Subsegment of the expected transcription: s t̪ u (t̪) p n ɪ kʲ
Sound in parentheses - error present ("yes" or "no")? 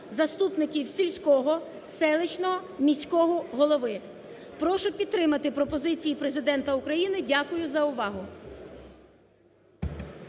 yes